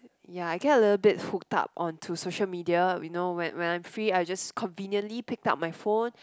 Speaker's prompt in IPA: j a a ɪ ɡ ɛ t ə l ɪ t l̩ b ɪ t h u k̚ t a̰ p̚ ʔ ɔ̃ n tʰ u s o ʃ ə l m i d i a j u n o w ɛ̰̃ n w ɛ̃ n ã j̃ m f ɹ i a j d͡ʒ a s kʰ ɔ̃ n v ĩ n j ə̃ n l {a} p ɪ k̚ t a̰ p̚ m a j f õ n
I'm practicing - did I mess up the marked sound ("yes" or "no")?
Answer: yes